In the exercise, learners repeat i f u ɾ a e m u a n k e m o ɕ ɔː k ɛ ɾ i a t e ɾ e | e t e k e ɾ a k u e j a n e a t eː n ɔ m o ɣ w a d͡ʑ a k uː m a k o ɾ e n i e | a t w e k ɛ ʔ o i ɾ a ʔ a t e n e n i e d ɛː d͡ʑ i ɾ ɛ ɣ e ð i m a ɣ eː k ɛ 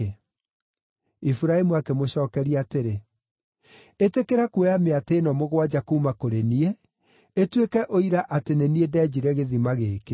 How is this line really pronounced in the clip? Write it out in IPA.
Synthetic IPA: i f u ɾ a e m u a k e m o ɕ ɔː k ɛ ɾ i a t e ɾ e | e t e k e ɾ a k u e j a m e a t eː n ɔ m o ɣ w a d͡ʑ a k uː m a k o ɾ e n i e | e t w e k ɛ ʔ o i ɾ a ʔ a t e n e n i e d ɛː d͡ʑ i ɾ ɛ ɣ e ð i m a ɣ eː k e